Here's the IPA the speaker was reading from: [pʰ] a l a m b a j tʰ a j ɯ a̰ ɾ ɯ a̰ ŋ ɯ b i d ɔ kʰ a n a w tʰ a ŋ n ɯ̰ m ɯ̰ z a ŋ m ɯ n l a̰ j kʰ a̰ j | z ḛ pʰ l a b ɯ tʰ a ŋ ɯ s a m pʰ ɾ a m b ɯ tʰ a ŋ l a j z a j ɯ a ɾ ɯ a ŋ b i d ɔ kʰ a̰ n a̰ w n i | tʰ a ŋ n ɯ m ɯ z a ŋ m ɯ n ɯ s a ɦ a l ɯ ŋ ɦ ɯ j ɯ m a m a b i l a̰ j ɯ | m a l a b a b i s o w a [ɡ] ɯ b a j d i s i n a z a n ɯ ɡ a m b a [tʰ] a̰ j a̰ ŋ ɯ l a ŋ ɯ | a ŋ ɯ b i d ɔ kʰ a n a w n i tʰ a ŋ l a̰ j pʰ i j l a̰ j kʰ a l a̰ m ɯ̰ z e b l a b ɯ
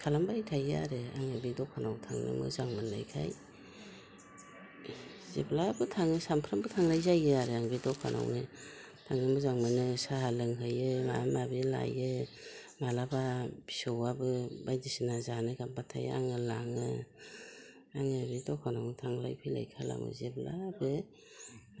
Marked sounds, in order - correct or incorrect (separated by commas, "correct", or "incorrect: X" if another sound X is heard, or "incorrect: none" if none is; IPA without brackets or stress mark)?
incorrect: kʰ, incorrect: b, correct